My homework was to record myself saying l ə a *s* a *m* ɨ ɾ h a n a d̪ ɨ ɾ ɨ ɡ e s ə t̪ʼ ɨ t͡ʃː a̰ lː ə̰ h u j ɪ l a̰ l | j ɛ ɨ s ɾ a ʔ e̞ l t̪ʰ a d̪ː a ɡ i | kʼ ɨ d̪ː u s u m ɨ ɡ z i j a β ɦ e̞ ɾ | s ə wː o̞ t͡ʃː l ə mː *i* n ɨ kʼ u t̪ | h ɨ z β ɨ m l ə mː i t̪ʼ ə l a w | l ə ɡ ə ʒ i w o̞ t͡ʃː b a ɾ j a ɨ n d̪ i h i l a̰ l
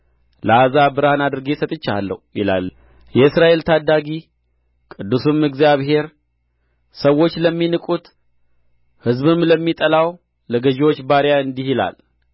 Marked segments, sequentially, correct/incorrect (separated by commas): incorrect, incorrect, correct